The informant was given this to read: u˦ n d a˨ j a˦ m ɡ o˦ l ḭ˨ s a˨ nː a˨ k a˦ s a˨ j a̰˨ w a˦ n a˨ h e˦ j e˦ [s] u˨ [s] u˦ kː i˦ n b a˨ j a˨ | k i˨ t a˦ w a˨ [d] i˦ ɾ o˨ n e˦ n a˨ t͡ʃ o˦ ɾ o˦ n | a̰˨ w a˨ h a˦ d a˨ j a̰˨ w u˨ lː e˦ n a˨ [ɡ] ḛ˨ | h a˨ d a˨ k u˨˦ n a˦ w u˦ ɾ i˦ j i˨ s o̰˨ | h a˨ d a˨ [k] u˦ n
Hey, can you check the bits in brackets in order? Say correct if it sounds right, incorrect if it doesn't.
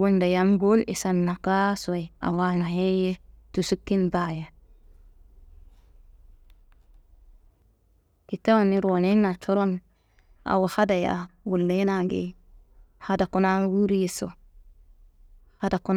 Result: incorrect: t, correct, incorrect: n, correct, correct

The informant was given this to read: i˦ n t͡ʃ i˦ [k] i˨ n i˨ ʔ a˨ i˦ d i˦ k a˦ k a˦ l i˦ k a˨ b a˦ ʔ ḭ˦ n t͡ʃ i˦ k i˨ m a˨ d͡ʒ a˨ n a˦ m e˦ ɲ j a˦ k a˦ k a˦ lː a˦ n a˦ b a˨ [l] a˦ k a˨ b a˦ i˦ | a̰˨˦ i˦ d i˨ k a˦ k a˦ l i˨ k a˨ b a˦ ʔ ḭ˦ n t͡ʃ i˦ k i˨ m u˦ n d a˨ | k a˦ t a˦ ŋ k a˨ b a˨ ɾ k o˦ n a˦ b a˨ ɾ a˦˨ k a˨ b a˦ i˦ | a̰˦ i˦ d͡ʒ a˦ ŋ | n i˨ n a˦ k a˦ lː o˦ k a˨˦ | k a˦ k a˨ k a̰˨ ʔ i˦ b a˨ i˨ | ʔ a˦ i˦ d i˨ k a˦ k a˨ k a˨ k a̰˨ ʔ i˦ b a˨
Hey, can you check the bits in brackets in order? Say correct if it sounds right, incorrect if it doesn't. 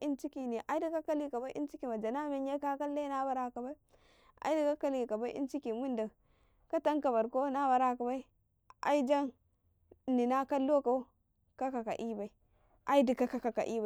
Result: correct, incorrect: ɾ

